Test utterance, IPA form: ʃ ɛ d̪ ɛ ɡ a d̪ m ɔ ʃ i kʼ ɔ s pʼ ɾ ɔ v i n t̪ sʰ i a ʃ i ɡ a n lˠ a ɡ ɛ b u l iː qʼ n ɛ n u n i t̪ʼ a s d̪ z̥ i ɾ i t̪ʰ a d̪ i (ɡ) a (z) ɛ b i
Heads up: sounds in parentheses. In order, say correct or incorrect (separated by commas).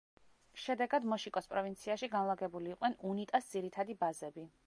incorrect, correct